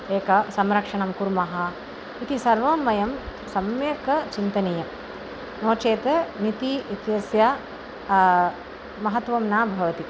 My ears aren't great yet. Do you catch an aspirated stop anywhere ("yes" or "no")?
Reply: no